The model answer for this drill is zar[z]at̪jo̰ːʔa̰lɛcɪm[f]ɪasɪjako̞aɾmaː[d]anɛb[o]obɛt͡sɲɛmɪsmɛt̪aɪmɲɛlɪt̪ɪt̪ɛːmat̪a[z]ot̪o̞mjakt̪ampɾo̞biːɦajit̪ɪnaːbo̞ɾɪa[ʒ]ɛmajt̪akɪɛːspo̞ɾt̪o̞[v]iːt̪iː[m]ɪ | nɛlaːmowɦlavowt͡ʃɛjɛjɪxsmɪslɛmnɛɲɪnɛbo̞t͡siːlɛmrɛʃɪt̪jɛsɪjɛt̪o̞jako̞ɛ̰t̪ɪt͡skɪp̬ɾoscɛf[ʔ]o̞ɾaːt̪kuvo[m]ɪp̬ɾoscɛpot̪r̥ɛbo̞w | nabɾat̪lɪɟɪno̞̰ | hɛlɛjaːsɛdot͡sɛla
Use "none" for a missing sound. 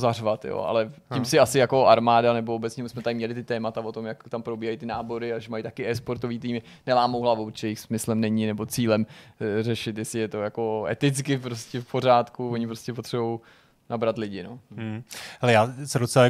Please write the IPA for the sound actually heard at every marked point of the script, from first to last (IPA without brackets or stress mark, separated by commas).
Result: v, s, d, o, v, ʒ, v, m, p, ɲ